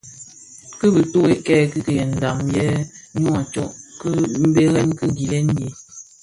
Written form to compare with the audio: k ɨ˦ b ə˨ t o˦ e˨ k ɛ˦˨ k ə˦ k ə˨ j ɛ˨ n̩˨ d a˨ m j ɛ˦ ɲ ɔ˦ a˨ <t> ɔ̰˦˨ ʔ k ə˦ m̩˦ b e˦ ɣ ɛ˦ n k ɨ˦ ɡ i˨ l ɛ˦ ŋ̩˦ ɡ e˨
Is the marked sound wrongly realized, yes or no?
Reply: yes